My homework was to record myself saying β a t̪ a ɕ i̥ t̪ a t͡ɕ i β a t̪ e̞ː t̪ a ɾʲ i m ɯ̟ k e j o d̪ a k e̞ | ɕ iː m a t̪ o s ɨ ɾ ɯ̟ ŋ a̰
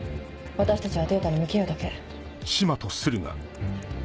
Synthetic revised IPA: β a t̪ a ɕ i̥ t̪ a t͡ɕ i β a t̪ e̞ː t̪ a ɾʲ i m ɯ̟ k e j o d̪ a k e̞ | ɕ i m a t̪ o s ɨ ɾ ɯ̟ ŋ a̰